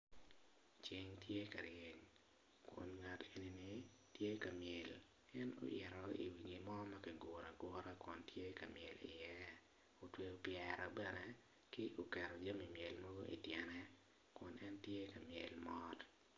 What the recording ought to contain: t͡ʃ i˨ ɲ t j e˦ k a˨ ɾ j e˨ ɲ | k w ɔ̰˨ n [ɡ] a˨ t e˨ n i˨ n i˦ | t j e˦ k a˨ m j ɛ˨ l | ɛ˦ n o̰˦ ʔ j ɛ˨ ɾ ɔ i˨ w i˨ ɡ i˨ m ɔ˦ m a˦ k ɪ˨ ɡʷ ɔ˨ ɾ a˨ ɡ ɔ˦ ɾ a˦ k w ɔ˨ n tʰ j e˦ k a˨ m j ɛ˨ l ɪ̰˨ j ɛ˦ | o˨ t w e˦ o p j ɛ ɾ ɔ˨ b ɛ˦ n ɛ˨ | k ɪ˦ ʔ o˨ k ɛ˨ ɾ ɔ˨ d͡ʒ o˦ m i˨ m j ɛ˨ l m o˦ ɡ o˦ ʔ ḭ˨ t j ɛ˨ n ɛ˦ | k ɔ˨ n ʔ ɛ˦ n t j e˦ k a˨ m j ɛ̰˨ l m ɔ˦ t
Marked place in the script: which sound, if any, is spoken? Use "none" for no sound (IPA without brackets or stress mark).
ŋ